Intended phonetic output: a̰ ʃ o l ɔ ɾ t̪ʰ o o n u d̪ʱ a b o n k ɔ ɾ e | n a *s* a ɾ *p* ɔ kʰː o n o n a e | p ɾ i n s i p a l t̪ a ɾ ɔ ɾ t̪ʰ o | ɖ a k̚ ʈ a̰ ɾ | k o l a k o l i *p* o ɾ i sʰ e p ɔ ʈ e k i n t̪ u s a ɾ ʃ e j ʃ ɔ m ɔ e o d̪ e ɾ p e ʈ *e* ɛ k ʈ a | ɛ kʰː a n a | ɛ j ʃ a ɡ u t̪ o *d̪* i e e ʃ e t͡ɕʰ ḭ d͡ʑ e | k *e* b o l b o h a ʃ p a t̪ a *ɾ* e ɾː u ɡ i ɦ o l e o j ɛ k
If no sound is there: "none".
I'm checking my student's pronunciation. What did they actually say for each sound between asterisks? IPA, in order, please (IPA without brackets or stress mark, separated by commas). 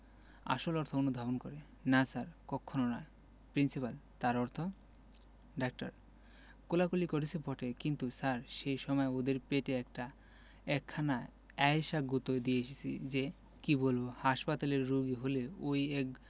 s, k, k, e, d̪, i, l